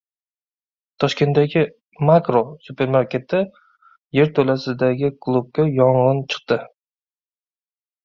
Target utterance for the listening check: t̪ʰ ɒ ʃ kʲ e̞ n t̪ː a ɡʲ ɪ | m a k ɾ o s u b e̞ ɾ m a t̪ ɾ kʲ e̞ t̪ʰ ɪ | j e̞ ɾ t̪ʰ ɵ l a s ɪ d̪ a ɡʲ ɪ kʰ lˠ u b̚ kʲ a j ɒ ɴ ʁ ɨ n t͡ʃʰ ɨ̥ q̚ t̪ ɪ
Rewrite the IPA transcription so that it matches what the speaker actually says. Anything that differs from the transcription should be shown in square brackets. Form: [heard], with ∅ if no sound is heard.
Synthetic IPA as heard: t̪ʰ ɒ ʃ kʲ e̞ n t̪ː a ɡʲ ɪ | m a k ɾ o s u [p] e̞ ɾ m a [∅] ɾ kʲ e̞ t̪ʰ ɪ | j e̞ ɾ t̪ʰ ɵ l a s ɪ d̪ a ɡʲ ɪ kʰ lˠ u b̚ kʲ a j ɒ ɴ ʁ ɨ n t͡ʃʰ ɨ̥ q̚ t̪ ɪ